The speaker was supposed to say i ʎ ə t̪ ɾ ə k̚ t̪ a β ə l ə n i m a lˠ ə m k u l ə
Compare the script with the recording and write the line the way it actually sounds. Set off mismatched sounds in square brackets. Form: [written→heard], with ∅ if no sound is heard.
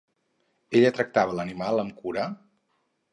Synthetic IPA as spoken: [i→e] ʎ ə t̪ ɾ ə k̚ t̪ a β ə l ə n i m a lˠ ə m k u [l→ɾ] ə